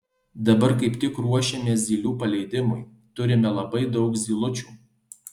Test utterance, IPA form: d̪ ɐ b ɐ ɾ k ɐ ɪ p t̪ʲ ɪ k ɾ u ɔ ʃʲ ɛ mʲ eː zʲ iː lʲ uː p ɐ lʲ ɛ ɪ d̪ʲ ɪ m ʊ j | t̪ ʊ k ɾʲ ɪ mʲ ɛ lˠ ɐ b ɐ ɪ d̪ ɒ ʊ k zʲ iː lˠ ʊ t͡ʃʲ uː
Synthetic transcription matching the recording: d̪ ɐ b ɐ ɾ k ɐ ɪ p t̪ʲ ɪ k ɾ u ɔ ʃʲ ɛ mʲ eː zʲ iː lʲ uː p ɐ lʲ ɛ ɪ d̪ʲ ɪ m ʊ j | t̪ ʊ ɾʲ ɪ mʲ ɛ lˠ ɐ b ɐ ɪ d̪ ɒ ʊ k zʲ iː lˠ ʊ t͡ʃʲ uː